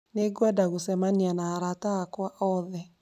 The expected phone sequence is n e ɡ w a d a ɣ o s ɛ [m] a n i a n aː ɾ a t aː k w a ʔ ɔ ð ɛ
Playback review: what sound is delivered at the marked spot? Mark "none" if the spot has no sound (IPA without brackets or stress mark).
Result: m